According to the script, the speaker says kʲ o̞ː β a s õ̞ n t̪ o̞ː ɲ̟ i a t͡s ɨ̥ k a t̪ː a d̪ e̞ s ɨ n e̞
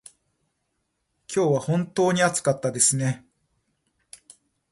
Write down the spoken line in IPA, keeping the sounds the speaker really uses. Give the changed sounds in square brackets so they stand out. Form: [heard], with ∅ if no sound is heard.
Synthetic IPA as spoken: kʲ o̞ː β a [h] õ̞ n t̪ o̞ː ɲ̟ i a t͡s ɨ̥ k a t̪ː a d̪ e̞ s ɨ n e̞